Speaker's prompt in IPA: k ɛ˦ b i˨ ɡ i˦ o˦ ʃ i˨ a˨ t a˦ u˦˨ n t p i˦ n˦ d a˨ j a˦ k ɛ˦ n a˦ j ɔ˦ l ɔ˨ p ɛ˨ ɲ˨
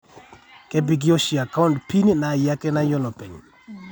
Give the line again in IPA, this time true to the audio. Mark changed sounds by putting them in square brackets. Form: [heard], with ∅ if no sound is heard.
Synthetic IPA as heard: k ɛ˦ b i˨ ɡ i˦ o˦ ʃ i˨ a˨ [k] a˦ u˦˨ n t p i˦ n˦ [n] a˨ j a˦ k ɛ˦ n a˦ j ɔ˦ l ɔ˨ p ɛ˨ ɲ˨